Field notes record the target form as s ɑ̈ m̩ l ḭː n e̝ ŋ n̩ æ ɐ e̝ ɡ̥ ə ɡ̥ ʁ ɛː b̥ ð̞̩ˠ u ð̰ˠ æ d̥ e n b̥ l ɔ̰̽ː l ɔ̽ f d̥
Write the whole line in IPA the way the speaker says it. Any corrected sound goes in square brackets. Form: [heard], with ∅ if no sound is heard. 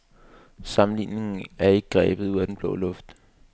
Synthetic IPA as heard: s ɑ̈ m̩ l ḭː n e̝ ŋ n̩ æ ɐ e̝ ɡ̥ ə ɡ̥ ʁ ɛː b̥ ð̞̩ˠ u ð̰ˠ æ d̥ e n b̥ l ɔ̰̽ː l ɔ̽ f d̥